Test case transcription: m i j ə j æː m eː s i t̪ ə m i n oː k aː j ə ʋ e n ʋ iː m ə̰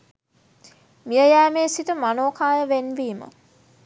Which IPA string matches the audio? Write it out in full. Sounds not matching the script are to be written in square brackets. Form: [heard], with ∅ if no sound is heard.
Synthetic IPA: m i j ə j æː m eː s i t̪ ə m [a] n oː k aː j ə ʋ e n ʋ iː m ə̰

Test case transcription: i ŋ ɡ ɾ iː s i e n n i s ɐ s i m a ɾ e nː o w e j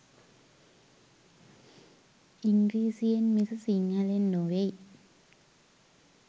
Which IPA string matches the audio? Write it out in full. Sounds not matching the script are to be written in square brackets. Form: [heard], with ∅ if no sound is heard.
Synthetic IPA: i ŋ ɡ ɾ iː s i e n [m] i s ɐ s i [ŋ] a [l] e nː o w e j

